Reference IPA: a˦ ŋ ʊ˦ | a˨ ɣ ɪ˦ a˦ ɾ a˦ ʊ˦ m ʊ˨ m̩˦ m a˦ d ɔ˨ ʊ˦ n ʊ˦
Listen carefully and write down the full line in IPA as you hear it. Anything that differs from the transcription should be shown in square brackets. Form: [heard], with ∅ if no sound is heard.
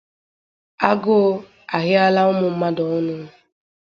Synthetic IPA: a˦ [ɡ] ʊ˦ | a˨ ɣ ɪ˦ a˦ [l] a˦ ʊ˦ m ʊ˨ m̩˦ m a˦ d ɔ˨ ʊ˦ n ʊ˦